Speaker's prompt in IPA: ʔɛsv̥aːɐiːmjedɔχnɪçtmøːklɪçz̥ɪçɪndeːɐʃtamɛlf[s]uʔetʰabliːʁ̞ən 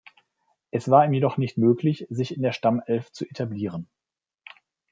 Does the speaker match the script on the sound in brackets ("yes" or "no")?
no